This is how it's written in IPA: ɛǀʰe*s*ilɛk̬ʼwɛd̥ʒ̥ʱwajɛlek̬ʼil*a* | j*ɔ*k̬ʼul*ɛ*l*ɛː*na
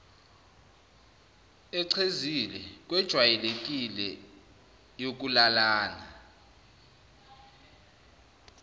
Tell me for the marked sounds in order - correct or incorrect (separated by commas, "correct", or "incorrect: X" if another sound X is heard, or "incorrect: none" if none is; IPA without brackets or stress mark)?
incorrect: z, incorrect: ɛ, incorrect: o, incorrect: a, incorrect: aː